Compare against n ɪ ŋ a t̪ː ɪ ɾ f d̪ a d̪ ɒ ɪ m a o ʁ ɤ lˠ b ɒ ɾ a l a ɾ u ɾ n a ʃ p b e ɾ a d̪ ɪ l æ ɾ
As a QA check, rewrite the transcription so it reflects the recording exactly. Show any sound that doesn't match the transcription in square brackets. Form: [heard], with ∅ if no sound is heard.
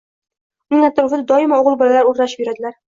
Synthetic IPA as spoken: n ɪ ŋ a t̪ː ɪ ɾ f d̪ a d̪ ɒ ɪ m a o ʁ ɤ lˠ b ɒ [l] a l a ɾ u ɾ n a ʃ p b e ɾ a d̪ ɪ l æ ɾ